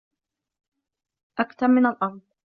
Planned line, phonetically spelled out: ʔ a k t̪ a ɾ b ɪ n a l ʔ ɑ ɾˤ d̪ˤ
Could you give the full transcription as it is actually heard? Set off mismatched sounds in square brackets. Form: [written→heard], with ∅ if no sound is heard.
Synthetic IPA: ʔ a k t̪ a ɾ [b→m] ɪ n a l ʔ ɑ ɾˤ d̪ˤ